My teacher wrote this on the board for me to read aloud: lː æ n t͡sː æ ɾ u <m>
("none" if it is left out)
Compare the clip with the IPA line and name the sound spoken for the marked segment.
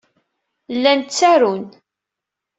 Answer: n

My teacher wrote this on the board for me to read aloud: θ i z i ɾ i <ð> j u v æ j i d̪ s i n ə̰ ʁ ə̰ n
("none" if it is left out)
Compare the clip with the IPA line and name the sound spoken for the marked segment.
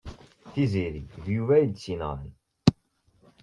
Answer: ð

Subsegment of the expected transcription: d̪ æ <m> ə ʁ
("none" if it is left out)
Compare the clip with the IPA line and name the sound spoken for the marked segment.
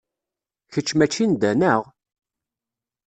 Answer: n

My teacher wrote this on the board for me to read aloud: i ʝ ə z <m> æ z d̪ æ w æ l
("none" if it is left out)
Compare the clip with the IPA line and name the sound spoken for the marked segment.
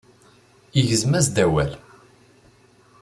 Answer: m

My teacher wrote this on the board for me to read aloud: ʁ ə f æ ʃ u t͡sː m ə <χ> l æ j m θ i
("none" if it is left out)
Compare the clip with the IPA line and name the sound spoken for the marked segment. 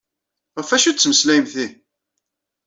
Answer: s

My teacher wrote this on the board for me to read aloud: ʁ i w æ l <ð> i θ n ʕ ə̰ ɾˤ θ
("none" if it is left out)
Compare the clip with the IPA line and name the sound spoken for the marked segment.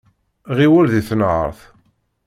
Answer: ð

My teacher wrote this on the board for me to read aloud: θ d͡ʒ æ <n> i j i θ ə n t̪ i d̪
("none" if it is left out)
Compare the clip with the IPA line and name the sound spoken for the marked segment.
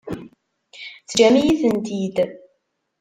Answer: m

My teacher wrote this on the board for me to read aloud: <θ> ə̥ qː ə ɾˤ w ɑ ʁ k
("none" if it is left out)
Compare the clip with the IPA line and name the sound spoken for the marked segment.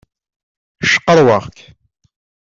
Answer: ʃ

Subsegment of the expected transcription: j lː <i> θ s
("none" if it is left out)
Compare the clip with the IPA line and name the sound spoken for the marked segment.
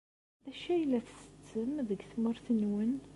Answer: æ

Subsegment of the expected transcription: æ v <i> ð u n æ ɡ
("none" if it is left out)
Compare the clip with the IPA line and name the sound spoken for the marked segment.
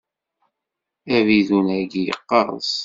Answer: i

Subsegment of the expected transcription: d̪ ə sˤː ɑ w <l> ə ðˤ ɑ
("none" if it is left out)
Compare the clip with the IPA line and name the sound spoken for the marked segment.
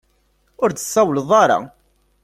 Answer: l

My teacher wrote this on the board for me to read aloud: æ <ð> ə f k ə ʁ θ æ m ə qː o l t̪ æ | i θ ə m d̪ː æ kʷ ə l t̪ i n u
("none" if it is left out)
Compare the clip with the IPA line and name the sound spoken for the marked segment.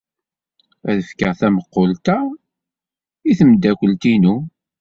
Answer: ð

